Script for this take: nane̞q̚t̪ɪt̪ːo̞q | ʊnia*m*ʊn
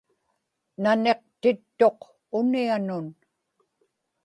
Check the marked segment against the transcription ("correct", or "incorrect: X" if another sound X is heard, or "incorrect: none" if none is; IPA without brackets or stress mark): incorrect: n